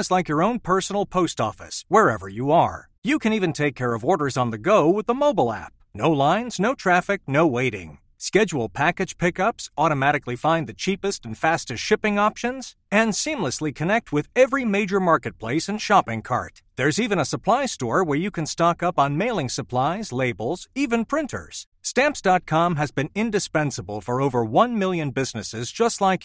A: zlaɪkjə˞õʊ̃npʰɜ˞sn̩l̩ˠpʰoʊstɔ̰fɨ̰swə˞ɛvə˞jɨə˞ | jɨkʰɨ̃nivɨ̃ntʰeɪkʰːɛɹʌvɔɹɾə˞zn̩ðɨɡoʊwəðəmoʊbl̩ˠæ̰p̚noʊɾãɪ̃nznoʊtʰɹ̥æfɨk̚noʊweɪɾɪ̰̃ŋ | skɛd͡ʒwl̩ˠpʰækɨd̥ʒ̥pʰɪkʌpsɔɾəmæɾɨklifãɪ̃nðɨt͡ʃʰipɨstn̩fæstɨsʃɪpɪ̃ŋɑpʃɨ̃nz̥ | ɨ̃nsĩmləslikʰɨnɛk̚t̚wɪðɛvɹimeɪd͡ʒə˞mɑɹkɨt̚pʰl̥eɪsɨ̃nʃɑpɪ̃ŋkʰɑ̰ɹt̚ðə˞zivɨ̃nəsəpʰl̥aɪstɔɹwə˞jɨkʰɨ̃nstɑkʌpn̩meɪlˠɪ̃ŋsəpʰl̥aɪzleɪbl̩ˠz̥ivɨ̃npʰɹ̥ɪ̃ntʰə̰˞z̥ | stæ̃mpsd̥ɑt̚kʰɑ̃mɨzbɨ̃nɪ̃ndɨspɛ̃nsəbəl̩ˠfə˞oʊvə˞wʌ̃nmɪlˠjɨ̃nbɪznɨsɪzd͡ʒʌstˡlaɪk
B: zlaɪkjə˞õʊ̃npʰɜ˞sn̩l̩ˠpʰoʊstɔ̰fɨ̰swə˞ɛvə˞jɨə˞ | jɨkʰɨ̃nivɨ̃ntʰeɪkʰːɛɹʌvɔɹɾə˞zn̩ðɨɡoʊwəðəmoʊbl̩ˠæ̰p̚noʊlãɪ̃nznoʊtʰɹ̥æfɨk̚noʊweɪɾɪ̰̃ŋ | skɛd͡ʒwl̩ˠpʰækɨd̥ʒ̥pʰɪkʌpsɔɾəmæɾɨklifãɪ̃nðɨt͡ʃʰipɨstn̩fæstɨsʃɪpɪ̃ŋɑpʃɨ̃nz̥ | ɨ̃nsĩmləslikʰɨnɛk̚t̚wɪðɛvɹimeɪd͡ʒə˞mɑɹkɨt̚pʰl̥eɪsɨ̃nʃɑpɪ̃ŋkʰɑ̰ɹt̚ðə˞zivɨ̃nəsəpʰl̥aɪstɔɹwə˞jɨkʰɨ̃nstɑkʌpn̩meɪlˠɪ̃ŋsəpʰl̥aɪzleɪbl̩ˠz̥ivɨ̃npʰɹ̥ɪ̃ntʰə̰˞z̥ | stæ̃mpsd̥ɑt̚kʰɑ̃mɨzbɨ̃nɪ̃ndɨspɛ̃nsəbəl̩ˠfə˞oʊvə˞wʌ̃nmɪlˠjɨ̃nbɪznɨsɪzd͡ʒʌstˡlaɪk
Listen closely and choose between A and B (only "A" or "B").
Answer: B